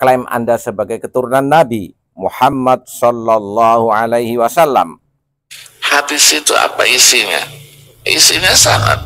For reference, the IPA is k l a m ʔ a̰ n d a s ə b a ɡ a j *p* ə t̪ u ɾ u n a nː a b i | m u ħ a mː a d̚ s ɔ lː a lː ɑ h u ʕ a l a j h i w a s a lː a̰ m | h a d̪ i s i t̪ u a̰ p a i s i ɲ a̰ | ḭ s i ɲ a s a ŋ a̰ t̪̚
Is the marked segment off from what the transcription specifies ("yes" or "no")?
yes